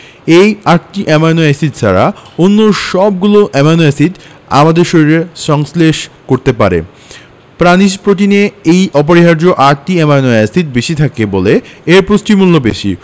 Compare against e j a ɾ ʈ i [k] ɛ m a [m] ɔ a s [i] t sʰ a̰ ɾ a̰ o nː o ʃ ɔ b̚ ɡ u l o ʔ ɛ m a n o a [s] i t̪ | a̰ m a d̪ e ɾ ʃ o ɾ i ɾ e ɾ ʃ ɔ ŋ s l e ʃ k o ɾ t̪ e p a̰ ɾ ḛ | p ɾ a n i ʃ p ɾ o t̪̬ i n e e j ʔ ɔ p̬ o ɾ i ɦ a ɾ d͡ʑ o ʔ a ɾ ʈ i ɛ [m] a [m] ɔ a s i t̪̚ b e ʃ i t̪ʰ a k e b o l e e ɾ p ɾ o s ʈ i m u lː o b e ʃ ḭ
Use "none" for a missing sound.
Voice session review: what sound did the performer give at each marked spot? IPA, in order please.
ʔ, n, i, s, m, n

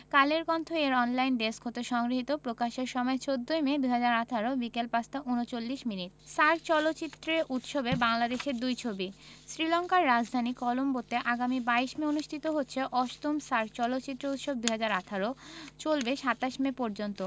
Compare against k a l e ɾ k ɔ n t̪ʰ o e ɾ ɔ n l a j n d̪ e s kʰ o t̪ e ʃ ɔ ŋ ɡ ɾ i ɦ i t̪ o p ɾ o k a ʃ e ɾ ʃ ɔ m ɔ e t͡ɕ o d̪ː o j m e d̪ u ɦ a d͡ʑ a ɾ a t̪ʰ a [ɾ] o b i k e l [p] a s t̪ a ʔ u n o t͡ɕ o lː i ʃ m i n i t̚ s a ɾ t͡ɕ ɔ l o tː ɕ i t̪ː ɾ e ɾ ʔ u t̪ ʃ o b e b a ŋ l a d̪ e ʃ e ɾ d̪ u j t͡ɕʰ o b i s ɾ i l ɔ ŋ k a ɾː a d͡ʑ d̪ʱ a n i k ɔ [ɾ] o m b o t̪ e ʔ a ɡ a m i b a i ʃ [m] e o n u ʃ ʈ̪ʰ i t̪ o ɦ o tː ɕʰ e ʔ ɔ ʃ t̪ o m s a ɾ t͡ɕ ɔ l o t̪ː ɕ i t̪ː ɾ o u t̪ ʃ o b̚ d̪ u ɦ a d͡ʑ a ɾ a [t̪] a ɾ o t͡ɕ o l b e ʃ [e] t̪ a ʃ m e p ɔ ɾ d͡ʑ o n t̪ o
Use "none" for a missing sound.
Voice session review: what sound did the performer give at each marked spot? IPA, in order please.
ɾ, p, l, m, t̪ʰ, a

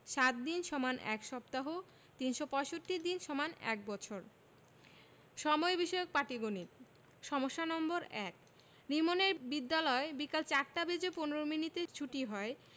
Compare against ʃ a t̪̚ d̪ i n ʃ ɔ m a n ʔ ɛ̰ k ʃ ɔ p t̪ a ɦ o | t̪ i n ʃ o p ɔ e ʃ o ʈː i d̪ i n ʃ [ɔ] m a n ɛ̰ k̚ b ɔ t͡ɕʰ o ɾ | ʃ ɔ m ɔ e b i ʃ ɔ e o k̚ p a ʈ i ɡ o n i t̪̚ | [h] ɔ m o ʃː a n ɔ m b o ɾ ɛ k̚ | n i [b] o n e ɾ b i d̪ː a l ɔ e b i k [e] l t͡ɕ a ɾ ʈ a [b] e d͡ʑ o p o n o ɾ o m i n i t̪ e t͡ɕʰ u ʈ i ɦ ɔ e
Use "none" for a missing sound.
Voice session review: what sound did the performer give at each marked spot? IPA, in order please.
ɔ, ʃ, m, a, b

